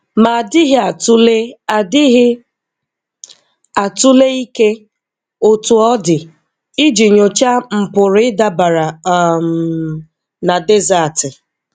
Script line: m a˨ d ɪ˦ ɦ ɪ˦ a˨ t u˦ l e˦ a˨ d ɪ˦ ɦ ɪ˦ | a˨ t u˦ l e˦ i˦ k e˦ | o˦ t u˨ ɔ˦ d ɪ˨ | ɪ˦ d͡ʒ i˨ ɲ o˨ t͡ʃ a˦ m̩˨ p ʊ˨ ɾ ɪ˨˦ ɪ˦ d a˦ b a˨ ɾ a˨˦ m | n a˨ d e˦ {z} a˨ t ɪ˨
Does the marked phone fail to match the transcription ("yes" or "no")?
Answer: no